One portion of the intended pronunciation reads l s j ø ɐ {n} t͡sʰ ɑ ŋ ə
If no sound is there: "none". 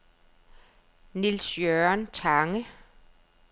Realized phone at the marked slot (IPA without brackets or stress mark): n